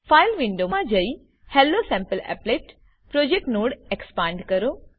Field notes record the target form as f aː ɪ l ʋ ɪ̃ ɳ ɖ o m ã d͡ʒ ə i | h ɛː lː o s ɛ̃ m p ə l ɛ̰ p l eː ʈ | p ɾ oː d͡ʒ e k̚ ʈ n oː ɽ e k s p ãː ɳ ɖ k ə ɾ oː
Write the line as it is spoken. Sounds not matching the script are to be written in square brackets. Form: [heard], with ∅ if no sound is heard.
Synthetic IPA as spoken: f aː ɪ l ʋ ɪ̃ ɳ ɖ o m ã d͡ʒ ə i | h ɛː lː o s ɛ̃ m p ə l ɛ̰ p l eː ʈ | p ɾ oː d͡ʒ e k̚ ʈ n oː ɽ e k s p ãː ɳ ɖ k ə ɾ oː